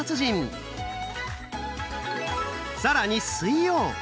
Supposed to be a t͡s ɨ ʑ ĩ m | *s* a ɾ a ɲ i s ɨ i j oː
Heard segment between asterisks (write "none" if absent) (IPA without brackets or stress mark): s